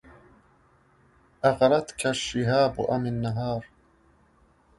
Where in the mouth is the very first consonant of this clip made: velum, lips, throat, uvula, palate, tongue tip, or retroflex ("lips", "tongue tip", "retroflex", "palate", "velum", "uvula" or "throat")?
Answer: throat